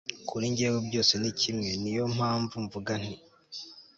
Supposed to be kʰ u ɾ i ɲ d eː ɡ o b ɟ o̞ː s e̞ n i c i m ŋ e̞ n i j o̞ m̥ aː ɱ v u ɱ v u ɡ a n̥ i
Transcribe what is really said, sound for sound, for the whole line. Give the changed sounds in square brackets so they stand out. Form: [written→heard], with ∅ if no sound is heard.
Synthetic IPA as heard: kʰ u ɾ i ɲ [d→ɟ] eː ɡ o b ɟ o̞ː s e̞ n i c i m ŋ e̞ n i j o̞ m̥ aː ɱ v u ɱ v u ɡ a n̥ i